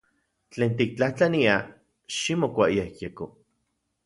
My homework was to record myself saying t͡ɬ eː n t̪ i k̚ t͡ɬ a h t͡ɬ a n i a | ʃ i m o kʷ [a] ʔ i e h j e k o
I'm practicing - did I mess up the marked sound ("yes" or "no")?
no